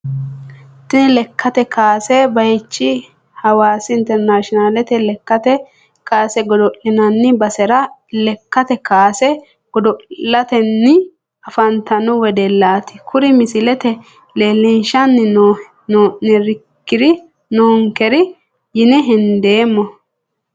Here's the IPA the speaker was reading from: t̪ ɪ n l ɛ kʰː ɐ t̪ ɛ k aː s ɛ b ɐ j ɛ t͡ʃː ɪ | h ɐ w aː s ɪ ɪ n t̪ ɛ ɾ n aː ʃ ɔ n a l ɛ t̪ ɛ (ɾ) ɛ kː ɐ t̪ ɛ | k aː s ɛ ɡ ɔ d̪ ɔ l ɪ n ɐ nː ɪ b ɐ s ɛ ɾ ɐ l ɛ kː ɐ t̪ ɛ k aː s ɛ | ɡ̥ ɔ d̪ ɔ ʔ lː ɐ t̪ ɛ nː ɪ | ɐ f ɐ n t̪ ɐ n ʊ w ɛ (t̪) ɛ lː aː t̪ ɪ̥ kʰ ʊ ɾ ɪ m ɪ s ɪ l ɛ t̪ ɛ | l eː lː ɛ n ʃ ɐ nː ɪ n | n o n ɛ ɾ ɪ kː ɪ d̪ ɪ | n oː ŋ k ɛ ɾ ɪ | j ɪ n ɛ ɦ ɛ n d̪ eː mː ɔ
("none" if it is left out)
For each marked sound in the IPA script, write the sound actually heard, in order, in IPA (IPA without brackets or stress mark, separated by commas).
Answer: l, d̪